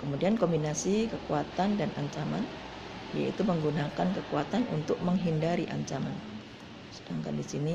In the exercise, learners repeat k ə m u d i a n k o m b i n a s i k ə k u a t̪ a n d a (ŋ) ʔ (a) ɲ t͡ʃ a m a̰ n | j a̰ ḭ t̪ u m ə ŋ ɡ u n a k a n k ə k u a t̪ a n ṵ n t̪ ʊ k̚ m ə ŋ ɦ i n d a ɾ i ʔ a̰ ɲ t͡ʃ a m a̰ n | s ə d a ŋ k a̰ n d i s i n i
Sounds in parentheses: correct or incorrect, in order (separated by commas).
incorrect, correct